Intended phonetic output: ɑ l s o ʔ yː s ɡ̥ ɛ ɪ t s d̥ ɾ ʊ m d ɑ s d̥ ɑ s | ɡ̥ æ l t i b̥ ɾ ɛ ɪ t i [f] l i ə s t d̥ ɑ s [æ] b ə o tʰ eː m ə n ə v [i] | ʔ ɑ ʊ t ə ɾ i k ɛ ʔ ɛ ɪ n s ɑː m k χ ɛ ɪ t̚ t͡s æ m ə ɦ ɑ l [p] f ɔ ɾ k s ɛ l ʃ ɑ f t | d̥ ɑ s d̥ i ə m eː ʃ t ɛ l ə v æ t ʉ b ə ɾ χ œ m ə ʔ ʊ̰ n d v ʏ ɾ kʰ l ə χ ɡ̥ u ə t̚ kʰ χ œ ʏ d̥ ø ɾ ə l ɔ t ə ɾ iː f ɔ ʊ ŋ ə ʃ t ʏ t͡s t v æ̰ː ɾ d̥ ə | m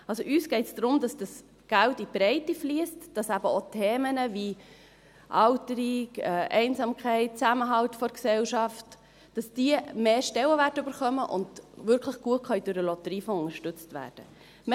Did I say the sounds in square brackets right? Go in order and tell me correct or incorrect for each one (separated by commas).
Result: correct, correct, correct, incorrect